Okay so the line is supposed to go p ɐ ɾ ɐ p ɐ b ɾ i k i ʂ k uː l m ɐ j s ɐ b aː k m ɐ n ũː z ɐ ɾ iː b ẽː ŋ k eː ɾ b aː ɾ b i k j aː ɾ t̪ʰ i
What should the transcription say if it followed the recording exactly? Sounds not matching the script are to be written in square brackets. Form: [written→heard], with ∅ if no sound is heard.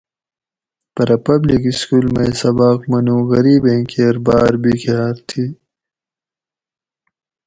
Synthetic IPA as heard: p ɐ ɾ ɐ p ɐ b [ɾ→l] i k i [ʂ→s] k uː l m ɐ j s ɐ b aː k m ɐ n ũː [z→ɣ] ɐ ɾ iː b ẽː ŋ k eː ɾ b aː ɾ b i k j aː ɾ t̪ʰ i